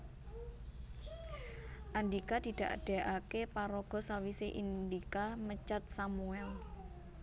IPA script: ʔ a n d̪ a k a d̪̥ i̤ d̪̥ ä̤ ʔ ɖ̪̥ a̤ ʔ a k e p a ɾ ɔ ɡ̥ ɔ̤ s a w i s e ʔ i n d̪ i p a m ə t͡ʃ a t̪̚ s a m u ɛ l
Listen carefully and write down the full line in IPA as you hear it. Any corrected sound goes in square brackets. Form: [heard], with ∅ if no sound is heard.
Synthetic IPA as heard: ʔ a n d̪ [i] k a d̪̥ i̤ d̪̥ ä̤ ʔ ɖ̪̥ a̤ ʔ a k e p a ɾ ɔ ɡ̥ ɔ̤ s a w i s e ʔ i n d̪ i [k] a m ə t͡ʃ a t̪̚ s a m u ɛ l